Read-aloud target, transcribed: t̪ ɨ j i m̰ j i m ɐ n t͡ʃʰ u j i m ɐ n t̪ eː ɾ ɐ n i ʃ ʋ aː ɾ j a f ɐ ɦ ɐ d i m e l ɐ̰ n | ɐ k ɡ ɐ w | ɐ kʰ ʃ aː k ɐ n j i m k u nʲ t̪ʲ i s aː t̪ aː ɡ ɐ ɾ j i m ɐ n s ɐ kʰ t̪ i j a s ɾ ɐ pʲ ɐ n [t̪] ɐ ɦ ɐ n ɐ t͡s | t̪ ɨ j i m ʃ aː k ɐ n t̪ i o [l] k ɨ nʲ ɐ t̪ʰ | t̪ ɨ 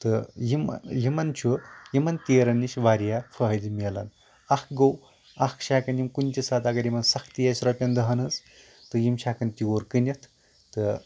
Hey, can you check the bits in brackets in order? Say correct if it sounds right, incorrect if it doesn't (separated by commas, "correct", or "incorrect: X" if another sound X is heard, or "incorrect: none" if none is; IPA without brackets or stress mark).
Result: incorrect: d̪, incorrect: ɾ